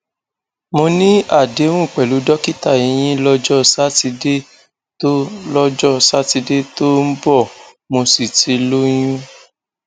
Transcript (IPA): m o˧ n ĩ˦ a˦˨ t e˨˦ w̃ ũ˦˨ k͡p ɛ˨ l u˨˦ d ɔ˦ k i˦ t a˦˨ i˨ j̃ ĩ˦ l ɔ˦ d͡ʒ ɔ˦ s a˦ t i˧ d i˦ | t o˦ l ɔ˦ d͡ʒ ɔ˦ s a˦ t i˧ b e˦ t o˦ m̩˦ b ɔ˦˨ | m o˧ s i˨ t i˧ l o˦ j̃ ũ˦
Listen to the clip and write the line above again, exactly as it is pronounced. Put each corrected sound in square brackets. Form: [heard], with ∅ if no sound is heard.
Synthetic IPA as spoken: m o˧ n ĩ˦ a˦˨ [d] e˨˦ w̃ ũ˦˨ k͡p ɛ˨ l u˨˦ d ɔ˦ k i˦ t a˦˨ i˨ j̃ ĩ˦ l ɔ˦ d͡ʒ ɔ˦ s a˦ t i˧ d [e˦] | t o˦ l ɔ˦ d͡ʒ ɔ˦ s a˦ t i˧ [d] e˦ t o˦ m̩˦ b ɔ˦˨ | m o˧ s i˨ t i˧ l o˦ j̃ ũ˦

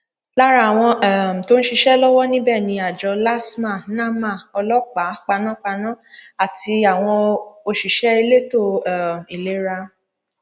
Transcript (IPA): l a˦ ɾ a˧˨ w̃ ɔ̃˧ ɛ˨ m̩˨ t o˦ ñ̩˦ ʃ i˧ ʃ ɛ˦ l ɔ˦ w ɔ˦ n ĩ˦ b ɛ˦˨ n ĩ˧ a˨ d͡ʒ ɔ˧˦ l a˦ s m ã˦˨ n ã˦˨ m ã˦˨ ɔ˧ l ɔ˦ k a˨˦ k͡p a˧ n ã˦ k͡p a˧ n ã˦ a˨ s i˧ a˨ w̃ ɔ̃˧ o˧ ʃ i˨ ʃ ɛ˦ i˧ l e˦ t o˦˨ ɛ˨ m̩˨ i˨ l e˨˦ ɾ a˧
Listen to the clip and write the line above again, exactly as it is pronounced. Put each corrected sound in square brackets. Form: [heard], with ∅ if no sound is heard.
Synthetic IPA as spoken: l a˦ ɾ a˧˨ w̃ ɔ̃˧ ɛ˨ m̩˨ t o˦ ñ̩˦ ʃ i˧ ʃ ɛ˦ l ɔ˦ w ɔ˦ n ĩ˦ b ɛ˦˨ n ĩ˧ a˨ d͡ʒ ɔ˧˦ l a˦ s m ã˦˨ n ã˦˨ m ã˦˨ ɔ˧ l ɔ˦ [k͡p] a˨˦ k͡p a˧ n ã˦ k͡p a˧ n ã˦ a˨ [t] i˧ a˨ w̃ ɔ̃˧ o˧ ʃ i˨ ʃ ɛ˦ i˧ l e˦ t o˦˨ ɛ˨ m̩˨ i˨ l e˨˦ ɾ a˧

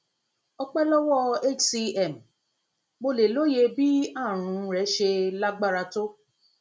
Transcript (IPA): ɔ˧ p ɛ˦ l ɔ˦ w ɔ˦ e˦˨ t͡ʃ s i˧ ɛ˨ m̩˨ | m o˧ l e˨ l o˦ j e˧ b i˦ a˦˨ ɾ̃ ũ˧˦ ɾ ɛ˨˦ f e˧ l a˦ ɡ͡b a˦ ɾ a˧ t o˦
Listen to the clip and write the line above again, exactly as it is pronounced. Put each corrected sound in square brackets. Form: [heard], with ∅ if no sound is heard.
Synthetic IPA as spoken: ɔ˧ [k͡p] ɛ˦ l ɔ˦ w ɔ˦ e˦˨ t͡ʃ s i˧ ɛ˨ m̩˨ | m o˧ l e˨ l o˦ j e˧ b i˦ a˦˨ ɾ̃ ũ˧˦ ɾ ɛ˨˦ [ʃ] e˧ l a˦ ɡ͡b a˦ ɾ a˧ t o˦

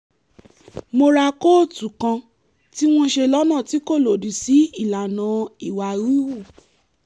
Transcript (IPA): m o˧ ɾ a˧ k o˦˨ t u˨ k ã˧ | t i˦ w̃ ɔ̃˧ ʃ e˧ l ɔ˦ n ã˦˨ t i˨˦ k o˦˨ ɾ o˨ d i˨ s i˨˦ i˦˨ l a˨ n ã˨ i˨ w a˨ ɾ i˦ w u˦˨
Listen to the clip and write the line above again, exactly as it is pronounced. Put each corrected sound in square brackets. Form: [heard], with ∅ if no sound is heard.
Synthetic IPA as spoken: m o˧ ɾ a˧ k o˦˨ t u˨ k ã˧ | t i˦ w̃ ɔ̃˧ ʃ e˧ l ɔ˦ n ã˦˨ t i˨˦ k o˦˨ [l] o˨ d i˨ s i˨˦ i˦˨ l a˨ n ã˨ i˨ w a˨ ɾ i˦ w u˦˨

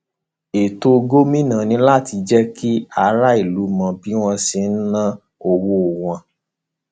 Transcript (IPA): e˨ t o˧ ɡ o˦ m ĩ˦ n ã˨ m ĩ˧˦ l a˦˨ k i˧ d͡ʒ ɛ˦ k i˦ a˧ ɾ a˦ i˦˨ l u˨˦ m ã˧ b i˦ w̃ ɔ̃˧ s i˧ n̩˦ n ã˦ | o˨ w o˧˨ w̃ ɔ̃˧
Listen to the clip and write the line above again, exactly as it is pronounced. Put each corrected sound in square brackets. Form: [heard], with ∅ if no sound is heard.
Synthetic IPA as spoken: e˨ t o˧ ɡ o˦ m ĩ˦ n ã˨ [n] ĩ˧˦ l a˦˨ [t] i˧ d͡ʒ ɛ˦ k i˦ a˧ ɾ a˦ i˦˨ l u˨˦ m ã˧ b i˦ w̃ ɔ̃˧ s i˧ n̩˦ n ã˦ | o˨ w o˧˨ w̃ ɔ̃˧

